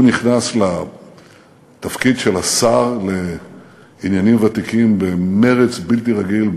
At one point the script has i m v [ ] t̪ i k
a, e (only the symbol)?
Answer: a